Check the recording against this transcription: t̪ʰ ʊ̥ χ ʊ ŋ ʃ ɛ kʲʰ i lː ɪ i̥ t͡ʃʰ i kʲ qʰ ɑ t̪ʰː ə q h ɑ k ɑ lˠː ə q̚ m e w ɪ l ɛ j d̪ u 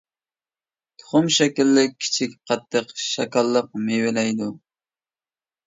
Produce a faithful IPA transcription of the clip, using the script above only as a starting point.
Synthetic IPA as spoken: t̪ʰ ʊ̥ χ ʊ m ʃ ɛ kʲ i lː ɪ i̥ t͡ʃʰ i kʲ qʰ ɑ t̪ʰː ə q ʃ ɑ k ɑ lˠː ə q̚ m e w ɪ l ɛ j d̪ u